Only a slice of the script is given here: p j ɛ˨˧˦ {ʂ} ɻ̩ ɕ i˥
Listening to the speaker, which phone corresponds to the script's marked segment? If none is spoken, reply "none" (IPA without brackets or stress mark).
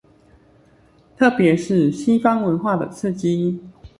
ʂ